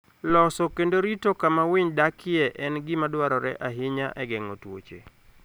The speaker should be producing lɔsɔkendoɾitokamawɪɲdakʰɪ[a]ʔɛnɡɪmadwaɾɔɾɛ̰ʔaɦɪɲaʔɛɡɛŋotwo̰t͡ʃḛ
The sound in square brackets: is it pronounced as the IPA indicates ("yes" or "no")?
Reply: no